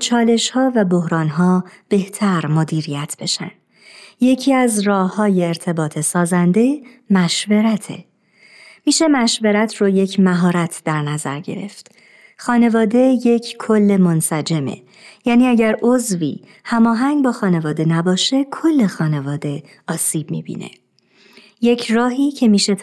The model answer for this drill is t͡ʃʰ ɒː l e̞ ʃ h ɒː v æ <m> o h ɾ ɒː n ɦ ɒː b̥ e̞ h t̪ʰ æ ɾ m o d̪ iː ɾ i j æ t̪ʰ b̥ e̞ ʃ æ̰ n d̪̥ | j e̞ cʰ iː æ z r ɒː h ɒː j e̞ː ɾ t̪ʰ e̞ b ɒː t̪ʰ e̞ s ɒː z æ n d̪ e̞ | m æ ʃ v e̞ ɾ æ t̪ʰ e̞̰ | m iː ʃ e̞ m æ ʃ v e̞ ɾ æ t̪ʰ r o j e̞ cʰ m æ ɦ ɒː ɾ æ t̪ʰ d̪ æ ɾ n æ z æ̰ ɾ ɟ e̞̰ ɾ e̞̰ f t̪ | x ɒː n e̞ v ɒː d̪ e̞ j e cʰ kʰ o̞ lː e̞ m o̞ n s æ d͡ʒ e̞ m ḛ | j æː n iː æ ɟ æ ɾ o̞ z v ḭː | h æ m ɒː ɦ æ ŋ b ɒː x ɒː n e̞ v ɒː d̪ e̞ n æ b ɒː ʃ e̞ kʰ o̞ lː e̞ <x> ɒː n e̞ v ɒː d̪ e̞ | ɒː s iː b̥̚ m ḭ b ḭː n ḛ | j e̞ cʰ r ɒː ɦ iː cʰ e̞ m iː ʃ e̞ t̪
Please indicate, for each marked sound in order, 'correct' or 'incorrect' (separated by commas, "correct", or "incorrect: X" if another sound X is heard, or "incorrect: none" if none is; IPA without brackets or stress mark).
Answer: incorrect: b, correct